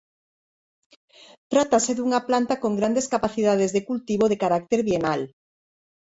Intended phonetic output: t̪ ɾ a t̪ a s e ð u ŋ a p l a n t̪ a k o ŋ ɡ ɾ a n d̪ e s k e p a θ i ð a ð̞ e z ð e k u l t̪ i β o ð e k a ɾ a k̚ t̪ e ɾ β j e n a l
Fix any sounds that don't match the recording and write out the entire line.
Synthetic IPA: t̪ ɾ a t̪ a s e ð u ŋ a p l a n t̪ a k o ŋ ɡ ɾ a n d̪ e s k a p a θ i ð a ð̞ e z ð e k u l t̪ i β o ð e k a ɾ a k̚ t̪ e ɾ β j e n a l